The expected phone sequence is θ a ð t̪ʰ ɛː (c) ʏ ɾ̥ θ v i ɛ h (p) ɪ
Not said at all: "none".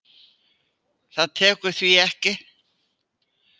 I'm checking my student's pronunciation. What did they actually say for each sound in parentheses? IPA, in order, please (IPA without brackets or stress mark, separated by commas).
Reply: k, c